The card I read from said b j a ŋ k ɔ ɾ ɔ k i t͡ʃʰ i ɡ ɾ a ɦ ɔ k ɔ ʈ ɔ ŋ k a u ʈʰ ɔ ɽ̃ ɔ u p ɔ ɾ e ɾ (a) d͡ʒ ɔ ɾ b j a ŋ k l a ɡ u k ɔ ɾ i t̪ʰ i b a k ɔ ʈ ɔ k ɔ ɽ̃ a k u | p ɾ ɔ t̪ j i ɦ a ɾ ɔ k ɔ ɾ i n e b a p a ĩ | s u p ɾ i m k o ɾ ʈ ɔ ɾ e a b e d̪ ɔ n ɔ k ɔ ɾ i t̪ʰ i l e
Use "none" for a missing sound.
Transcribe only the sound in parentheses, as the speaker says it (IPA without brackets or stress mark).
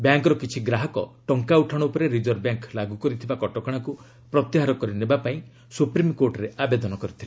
i